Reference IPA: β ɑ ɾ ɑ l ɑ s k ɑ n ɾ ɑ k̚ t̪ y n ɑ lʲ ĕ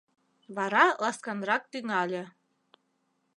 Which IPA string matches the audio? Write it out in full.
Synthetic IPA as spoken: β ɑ ɾ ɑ l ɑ s k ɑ n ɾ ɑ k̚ t̪ y ŋ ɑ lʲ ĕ